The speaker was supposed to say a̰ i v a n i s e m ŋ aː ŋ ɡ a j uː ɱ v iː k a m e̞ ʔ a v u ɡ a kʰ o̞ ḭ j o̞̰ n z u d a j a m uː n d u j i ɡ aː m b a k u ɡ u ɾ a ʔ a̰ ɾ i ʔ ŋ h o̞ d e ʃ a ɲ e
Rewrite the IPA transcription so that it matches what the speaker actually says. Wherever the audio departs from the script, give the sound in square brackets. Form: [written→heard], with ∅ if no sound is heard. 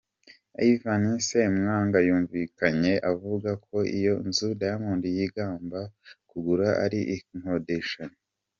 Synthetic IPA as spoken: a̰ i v a n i s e m ŋ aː ŋ ɡ a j uː ɱ v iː k a [m→ɲ] e̞ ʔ a v u ɡ a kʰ o̞ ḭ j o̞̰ n z u d a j a m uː n d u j i ɡ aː m b a k u ɡ u ɾ a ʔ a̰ ɾ i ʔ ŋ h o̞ d e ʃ a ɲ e